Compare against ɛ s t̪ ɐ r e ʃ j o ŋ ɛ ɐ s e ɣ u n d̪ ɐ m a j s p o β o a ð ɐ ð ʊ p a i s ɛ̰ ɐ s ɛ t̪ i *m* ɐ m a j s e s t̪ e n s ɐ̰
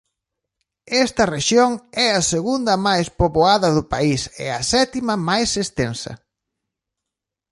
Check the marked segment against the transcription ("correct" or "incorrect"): correct